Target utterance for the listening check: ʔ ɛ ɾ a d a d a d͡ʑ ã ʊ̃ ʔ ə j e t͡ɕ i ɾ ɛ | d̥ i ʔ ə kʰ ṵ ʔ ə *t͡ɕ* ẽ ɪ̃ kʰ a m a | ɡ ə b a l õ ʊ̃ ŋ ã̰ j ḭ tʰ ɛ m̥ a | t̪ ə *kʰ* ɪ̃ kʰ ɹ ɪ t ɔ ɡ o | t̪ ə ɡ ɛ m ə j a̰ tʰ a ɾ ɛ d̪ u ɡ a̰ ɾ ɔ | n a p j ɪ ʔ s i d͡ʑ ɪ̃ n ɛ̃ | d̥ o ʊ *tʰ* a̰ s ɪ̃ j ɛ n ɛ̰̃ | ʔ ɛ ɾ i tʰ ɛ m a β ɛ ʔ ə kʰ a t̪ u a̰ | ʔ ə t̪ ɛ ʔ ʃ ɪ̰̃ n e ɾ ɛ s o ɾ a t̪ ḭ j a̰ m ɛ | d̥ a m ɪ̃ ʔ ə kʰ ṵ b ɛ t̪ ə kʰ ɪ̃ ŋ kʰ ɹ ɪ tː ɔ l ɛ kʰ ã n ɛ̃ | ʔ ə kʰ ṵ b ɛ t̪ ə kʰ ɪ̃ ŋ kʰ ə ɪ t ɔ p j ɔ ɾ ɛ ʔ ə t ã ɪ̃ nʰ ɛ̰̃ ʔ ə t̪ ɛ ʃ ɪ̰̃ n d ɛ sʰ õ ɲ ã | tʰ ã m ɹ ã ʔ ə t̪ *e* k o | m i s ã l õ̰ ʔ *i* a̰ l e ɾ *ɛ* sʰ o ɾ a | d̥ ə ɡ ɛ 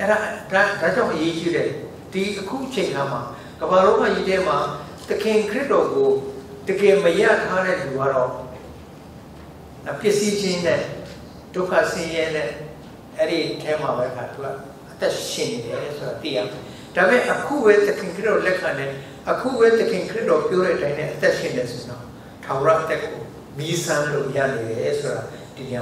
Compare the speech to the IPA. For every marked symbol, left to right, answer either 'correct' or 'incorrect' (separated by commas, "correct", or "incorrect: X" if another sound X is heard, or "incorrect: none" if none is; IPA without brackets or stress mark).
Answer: incorrect: t͡ɕʰ, correct, incorrect: kʰ, incorrect: ɛ, incorrect: j, correct